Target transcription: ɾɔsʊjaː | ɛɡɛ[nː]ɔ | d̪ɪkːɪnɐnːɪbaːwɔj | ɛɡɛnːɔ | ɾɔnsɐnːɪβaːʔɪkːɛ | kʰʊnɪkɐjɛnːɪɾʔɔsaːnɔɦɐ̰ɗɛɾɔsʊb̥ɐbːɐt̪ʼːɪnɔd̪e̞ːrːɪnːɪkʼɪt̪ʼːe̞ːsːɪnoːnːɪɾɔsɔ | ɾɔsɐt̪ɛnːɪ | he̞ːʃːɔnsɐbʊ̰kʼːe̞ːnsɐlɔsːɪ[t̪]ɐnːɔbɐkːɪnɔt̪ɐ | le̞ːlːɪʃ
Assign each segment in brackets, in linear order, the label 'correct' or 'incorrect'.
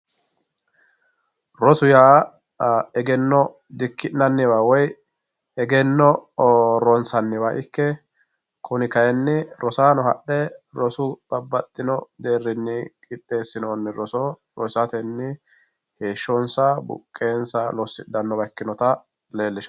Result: correct, incorrect: d̪

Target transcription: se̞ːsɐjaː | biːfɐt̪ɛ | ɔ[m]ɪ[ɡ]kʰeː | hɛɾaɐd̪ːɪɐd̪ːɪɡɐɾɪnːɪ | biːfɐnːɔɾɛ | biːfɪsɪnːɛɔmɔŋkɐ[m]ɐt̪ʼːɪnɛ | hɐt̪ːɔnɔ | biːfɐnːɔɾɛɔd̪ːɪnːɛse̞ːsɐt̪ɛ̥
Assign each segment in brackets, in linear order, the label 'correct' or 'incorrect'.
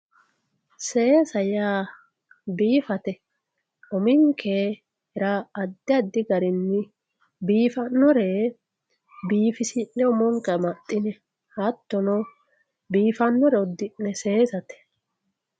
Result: correct, incorrect: ŋ, correct

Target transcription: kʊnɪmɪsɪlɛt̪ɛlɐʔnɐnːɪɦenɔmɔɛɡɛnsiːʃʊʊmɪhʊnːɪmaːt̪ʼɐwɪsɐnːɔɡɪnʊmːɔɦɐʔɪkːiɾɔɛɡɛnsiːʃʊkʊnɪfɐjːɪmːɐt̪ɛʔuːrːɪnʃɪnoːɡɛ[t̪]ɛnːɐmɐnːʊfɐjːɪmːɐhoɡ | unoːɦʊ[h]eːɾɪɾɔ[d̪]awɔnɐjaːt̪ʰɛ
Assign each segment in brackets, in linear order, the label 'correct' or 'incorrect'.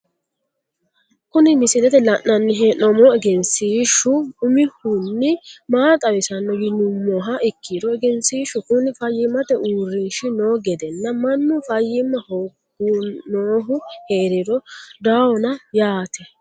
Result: incorrect: d̪, correct, correct

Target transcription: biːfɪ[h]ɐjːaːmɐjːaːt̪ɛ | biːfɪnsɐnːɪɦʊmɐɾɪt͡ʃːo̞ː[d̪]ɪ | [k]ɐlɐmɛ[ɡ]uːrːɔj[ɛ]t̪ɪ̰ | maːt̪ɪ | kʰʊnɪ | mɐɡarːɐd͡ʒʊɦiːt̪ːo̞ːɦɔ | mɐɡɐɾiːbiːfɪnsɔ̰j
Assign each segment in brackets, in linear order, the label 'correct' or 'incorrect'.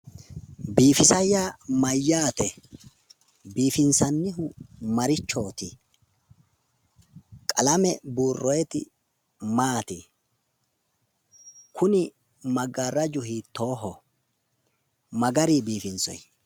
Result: incorrect: s, incorrect: t̪, incorrect: kʼ, incorrect: b, correct

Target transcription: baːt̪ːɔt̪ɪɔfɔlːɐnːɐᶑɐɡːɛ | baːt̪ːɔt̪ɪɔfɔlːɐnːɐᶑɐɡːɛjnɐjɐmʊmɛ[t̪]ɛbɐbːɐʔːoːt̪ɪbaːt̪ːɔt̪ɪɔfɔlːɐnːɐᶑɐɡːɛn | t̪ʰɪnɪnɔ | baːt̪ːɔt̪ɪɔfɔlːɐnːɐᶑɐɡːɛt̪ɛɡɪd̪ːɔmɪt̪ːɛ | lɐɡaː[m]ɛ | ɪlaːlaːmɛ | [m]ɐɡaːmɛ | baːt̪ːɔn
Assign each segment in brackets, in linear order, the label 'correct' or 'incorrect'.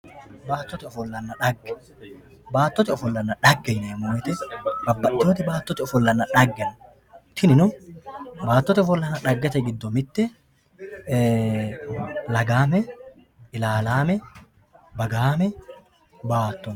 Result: correct, correct, incorrect: b

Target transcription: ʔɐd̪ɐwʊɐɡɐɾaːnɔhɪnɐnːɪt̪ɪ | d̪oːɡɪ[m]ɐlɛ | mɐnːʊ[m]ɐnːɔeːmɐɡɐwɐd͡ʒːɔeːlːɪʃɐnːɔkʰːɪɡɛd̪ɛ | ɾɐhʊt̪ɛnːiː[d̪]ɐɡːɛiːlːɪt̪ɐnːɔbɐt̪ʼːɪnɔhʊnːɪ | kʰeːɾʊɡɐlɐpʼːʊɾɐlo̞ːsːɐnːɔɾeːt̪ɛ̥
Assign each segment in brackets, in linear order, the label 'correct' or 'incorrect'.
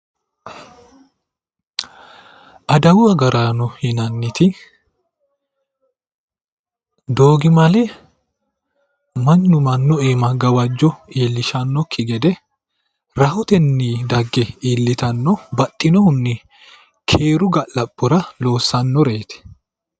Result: correct, correct, correct

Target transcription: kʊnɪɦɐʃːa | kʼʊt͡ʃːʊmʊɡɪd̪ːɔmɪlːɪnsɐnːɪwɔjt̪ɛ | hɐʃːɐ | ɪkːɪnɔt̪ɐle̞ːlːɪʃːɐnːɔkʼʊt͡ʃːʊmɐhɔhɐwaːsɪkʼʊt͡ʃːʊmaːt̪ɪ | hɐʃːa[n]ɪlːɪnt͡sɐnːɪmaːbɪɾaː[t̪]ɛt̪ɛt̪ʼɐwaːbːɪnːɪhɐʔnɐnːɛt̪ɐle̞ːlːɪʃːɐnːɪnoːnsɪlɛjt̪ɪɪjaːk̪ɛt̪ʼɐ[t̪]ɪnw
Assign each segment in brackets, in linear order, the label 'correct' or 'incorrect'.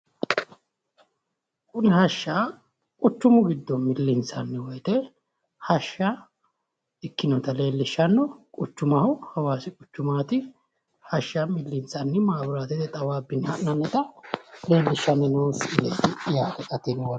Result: incorrect: m, correct, correct

